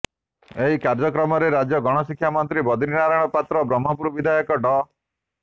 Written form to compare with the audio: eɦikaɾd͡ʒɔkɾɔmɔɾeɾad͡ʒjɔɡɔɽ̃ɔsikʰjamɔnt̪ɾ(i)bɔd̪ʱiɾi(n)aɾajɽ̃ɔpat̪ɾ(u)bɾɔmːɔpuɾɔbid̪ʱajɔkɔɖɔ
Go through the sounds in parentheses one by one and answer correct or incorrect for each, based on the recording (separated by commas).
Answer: correct, correct, incorrect